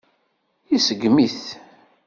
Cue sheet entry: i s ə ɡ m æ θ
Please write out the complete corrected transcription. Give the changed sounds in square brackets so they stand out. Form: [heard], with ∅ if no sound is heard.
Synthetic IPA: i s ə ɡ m [i] θ